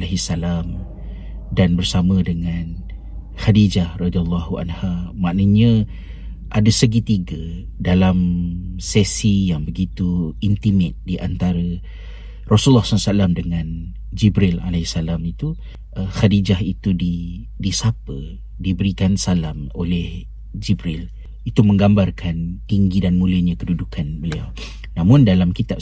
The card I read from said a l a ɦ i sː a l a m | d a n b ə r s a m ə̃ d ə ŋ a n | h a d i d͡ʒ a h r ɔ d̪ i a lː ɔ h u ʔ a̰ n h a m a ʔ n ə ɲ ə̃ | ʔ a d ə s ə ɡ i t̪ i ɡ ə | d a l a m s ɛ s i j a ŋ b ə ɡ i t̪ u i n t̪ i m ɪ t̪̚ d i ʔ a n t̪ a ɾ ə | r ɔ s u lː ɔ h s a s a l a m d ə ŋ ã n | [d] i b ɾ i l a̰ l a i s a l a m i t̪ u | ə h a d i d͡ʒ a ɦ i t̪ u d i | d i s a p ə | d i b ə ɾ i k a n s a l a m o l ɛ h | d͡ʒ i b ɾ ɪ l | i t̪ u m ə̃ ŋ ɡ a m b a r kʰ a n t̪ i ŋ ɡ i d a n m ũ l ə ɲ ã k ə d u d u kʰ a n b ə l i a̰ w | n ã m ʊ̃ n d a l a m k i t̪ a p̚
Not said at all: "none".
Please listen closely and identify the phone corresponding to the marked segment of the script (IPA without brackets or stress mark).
d͡ʒ